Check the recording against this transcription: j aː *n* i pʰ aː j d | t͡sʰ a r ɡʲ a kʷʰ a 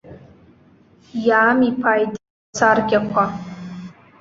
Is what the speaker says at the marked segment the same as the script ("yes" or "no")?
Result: no